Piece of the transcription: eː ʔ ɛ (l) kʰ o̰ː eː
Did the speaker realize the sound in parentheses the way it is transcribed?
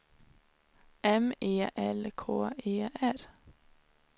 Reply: yes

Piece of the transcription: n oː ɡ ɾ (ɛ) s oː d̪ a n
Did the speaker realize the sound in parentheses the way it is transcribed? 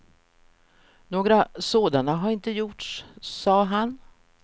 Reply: no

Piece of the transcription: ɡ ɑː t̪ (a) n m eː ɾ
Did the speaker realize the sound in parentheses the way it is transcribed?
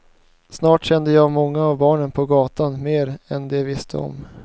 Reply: yes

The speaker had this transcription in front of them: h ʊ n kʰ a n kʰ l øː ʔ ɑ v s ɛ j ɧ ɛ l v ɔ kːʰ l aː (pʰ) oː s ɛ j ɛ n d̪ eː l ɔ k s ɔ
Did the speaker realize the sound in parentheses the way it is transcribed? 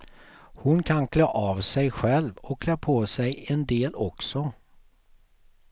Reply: yes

